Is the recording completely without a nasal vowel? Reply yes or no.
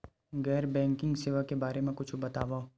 no